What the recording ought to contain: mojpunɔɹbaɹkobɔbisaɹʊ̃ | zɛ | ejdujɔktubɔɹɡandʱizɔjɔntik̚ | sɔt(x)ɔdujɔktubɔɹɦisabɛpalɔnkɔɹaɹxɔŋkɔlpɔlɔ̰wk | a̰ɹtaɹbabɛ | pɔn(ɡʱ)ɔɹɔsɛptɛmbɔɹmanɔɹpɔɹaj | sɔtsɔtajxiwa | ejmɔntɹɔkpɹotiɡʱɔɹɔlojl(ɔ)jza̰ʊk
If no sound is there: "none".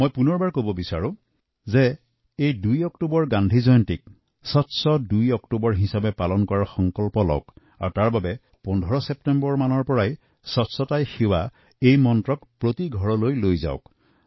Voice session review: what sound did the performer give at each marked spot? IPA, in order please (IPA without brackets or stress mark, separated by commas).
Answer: s, dʱ, o